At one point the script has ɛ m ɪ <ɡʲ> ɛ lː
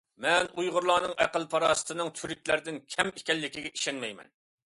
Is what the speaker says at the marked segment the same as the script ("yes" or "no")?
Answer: no